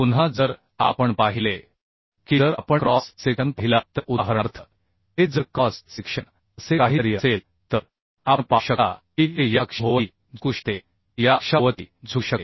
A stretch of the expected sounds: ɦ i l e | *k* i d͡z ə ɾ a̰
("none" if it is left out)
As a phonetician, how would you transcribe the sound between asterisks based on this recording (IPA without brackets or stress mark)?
k